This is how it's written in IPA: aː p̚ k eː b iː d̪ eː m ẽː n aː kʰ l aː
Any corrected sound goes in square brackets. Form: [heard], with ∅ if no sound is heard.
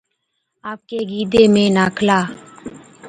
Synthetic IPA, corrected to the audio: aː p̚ k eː [ɡ] iː d̪ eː m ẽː n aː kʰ l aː